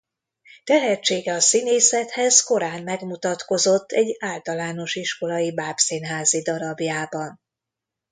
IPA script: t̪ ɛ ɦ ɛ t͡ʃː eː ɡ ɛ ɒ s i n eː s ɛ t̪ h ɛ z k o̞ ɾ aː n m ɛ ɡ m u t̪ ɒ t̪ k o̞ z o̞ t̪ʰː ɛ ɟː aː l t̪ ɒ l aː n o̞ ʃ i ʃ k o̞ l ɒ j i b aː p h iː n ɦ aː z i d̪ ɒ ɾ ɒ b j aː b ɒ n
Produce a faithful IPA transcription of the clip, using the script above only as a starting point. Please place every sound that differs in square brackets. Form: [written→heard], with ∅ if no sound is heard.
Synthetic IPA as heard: t̪ ɛ ɦ ɛ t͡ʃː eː ɡ ɛ ɒ s i n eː s ɛ t̪ h ɛ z k o̞ ɾ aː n m ɛ ɡ m u t̪ ɒ t̪ k o̞ z o̞ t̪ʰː ɛ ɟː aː l t̪ ɒ l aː n o̞ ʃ i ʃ k o̞ l ɒ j i b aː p [h→s] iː n ɦ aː z i d̪ ɒ ɾ ɒ b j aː b ɒ n